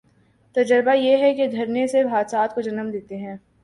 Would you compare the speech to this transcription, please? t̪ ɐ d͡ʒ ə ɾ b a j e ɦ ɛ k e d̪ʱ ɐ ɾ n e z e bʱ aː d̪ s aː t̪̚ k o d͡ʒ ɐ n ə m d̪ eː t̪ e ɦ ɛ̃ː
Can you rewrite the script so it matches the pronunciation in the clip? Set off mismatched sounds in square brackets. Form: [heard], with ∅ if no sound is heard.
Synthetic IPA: t̪ ɐ d͡ʒ ə ɾ b a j e ɦ ɛ k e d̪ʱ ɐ ɾ n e [s] e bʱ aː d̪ s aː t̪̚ k o d͡ʒ ɐ n ə m d̪ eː t̪ e ɦ ɛ̃ː